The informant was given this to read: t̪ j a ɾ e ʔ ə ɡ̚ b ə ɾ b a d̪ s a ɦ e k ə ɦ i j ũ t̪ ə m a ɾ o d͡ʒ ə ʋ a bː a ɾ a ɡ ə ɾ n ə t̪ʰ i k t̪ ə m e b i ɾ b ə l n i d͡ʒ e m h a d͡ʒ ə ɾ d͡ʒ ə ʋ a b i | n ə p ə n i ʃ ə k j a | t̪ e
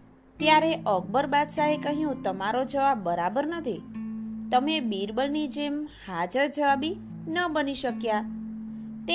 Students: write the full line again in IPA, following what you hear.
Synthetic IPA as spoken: t̪ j a ɾ e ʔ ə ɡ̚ b ə ɾ b a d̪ s a ɦ e k ə ɦ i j ũ t̪ ə m a ɾ o d͡ʒ ə ʋ a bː ə ɾ a b ə ɾ n ə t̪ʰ i t̪ ə m e b i ɾ b ə l n i d͡ʒ e m h a d͡ʒ ə ɾ d͡ʒ ə ʋ a b i | n ə b ə n i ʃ ə k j a | t̪ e